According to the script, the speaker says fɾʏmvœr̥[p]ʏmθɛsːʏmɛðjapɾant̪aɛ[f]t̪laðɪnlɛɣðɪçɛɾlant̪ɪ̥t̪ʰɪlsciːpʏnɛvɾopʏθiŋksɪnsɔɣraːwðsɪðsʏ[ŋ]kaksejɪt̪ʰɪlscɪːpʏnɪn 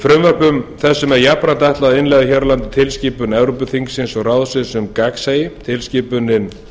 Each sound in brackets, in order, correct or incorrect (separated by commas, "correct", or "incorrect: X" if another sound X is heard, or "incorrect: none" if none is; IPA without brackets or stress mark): correct, incorrect: h, incorrect: m